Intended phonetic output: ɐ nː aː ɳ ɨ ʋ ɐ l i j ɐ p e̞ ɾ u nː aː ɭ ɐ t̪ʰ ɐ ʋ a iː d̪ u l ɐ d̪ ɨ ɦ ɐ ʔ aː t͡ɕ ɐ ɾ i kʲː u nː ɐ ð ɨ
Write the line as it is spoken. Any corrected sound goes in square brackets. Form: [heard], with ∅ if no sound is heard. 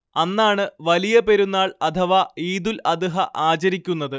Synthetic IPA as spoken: ɐ nː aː ɳ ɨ ʋ ɐ l i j ɐ p e̞ ɾ u nː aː ɭ ɐ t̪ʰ ɐ ʋ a iː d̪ u l ɐ d̪ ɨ ɦ ɐ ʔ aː t͡ɕ ɐ ɾ i kʲː u nː ɐ ð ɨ